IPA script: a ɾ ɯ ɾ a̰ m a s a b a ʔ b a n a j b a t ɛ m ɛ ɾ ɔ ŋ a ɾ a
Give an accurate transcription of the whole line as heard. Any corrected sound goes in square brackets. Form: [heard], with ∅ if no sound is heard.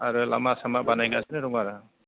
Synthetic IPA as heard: a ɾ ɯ [l] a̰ m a s a [m] a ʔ b a n a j [ɡ] a [s] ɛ [n] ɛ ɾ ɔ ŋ a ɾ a